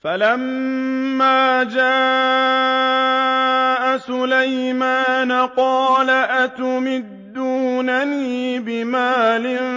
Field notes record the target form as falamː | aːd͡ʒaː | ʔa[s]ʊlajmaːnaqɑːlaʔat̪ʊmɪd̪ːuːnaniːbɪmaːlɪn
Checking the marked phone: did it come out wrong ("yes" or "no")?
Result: no